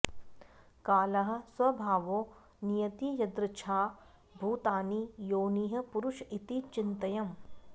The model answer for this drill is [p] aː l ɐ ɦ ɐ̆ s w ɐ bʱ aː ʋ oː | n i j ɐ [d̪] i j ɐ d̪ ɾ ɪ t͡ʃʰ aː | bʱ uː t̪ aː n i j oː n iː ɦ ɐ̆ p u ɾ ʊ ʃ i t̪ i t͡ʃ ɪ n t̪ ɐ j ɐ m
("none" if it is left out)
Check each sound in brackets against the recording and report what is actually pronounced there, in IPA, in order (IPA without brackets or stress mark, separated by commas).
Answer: k, t̪